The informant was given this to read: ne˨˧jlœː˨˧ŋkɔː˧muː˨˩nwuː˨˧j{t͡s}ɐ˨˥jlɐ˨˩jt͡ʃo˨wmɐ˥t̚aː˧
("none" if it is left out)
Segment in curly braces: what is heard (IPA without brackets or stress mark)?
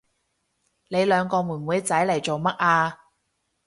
t͡s